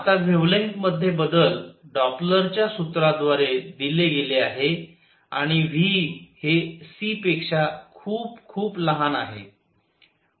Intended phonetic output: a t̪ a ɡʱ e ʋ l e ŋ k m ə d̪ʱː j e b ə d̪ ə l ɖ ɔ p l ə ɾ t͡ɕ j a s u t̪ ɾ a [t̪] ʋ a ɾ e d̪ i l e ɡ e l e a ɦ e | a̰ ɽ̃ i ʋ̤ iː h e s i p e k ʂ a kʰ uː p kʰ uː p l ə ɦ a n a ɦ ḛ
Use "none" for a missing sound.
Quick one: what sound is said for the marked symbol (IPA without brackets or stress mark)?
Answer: d̪